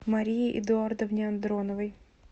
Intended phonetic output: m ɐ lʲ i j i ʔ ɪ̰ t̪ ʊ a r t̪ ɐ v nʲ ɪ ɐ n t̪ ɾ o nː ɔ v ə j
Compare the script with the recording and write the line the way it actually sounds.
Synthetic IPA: m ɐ ɾʲ i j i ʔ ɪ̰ d̪ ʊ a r d̪ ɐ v nʲ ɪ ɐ n d̪ ɾ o n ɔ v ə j